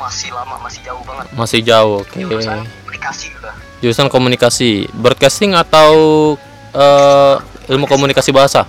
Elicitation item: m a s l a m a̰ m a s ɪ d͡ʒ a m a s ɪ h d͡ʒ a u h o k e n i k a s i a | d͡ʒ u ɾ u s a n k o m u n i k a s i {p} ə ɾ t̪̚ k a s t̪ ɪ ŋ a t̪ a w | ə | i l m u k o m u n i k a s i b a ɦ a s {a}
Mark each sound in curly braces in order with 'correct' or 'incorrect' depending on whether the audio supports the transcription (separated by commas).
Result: incorrect, correct